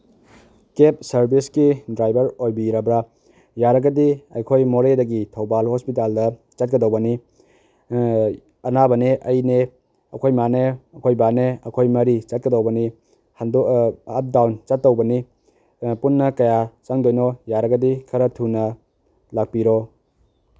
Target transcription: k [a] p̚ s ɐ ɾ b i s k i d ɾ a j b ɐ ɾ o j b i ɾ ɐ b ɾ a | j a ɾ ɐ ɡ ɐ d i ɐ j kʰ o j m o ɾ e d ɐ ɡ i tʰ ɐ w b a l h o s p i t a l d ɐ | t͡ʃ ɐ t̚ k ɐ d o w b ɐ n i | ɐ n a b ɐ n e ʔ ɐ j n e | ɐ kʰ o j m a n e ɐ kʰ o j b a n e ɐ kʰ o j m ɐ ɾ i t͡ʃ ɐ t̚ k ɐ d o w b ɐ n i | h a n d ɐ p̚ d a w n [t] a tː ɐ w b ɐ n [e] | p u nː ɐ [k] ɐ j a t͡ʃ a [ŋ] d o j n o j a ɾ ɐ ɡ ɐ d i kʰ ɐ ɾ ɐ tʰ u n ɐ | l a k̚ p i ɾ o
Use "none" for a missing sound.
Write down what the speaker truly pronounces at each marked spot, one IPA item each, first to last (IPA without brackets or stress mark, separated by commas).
e, t͡ʃ, i, k, ŋ